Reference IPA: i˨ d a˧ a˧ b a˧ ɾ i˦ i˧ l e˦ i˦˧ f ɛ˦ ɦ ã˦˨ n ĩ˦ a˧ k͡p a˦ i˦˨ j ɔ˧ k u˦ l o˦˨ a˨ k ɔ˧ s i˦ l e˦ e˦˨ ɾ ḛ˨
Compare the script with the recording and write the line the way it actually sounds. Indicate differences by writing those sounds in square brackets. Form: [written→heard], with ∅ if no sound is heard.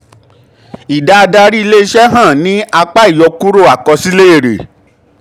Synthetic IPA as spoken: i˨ d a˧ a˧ [b→d] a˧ ɾ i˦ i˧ l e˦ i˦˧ [f→ʃ] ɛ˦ ɦ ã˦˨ n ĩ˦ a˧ k͡p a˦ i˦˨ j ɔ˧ k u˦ [l→ɾ] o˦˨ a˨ k ɔ˧ s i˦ l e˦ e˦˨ ɾ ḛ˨